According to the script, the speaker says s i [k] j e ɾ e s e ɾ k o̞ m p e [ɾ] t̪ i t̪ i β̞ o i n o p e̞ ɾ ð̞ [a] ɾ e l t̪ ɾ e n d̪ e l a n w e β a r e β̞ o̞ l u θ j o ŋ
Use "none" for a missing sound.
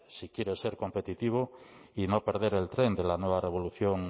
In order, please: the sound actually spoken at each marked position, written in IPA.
k, none, e

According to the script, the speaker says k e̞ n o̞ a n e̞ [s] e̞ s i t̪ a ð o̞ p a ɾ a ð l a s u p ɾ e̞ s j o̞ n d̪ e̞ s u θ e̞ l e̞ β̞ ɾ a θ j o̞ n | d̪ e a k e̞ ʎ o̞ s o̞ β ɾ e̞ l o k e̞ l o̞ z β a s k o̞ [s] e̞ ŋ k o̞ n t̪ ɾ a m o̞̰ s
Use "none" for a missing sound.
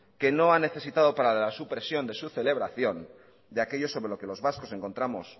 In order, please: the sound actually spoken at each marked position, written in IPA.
θ, s

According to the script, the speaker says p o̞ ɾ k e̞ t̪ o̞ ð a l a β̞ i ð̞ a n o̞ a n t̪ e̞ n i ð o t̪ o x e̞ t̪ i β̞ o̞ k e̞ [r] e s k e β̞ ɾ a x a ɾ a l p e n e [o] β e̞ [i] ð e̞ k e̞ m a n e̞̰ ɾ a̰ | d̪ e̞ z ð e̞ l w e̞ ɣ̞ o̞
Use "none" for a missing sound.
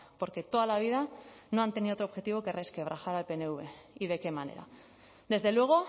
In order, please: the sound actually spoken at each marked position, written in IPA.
r, u, i

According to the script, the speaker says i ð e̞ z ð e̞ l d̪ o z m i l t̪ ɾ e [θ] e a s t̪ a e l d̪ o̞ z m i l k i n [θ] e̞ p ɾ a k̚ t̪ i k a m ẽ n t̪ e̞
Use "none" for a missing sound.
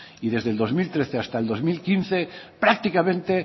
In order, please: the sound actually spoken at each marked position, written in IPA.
θ, θ

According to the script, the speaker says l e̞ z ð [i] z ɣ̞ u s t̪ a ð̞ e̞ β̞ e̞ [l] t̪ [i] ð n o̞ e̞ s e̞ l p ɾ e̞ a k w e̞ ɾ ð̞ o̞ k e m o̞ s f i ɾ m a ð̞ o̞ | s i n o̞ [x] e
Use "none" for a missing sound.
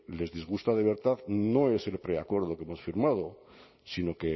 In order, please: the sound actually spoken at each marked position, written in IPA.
i, ɾ, a, k

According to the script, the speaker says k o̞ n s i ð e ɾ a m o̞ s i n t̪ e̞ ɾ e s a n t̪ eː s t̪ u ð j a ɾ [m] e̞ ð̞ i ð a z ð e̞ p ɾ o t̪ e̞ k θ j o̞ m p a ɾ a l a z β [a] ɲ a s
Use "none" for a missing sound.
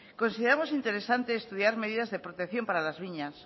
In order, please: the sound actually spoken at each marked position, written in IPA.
m, i

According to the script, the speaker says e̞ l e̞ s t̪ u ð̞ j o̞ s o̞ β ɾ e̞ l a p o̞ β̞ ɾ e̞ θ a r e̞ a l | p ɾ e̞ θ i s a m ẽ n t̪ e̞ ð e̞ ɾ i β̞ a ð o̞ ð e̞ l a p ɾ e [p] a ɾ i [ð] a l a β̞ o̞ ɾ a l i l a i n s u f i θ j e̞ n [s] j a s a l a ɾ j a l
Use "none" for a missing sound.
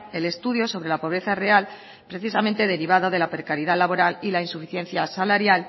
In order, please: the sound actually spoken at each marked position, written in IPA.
k, ð, θ

